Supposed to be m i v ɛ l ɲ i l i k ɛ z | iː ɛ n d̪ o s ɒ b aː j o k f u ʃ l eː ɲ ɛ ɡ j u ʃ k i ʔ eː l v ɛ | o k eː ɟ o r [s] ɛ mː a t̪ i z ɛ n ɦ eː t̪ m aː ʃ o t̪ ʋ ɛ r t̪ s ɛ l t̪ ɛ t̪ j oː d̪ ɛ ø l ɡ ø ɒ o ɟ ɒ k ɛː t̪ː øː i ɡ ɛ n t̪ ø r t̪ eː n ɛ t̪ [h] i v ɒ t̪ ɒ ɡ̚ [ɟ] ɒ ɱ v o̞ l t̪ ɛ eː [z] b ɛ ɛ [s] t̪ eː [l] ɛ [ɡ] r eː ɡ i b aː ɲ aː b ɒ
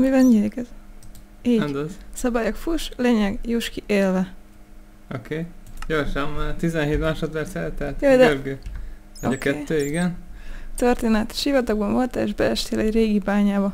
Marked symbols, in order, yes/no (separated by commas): no, no, no, no, no, yes, no